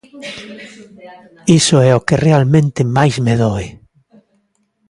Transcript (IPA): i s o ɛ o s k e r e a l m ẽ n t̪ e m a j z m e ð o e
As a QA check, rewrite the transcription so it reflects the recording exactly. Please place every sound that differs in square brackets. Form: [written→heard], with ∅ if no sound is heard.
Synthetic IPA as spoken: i s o ɛ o [s→∅] k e r e a l m ẽ n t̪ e m a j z m e ð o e